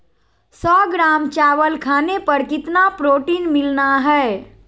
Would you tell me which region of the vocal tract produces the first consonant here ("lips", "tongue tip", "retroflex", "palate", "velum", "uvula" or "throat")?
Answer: tongue tip